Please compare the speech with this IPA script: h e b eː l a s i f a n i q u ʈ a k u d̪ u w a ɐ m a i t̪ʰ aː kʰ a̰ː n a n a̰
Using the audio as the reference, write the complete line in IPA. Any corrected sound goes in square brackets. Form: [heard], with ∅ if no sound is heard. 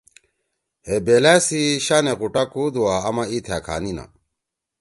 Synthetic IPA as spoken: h e b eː l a s i [ɕ] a n [e] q u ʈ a k u d̪ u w a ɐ m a i t̪ʰ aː kʰ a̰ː n [i] n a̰